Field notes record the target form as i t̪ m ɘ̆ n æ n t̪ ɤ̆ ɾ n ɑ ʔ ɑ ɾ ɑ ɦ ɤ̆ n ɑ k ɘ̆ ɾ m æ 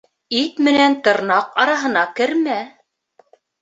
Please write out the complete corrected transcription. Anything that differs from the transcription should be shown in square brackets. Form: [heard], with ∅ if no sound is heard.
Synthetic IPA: i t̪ m ɘ̆ n æ n t̪ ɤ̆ ɾ n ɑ [q] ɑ ɾ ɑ ɦ ɤ̆ n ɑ k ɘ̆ ɾ m æ